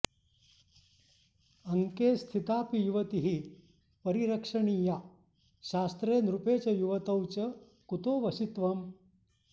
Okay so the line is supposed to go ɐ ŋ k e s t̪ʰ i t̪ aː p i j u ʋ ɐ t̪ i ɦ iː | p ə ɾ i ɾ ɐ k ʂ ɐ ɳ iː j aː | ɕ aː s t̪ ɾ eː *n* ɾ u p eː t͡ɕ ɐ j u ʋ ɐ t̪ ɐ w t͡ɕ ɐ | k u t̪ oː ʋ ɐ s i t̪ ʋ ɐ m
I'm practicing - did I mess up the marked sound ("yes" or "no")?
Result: no